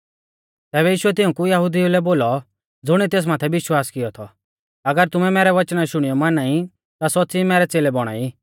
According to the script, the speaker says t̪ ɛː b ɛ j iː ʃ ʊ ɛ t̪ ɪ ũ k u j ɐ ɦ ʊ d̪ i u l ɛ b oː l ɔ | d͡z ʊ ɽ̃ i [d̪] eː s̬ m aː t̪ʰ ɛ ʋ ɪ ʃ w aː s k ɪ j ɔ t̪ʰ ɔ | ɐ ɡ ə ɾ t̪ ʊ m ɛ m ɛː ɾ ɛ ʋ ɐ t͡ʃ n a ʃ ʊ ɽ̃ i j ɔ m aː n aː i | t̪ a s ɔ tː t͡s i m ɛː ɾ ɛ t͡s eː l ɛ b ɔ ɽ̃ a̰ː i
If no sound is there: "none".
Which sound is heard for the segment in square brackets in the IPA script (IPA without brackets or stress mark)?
t̪